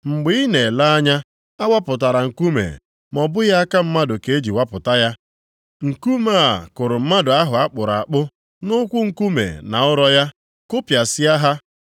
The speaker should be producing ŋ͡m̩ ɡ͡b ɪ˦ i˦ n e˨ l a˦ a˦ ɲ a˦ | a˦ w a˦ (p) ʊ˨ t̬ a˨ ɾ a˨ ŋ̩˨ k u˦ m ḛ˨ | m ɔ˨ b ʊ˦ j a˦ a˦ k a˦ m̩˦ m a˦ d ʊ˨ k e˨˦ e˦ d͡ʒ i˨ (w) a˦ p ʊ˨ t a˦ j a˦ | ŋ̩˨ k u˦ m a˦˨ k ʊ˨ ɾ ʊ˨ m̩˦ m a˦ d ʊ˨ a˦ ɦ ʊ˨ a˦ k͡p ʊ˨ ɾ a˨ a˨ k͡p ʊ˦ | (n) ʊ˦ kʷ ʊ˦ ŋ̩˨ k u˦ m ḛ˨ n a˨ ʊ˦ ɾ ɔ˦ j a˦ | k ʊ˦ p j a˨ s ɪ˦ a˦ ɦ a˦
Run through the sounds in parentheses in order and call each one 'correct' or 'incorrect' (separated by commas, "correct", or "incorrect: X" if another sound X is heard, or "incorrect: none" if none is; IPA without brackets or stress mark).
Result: correct, correct, correct